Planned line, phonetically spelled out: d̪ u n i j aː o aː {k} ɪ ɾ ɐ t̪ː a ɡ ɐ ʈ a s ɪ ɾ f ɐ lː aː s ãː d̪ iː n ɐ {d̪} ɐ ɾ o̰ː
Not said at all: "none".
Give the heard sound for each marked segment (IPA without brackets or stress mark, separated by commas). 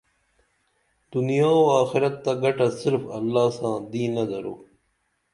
x, d̪